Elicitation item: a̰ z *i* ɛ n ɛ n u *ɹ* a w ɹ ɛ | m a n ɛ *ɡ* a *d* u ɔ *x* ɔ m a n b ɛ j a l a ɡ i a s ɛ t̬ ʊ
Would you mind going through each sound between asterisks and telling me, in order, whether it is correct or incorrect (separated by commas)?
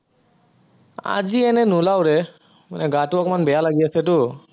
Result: correct, incorrect, correct, incorrect, incorrect